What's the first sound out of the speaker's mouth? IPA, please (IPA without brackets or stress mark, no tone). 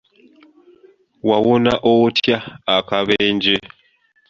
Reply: w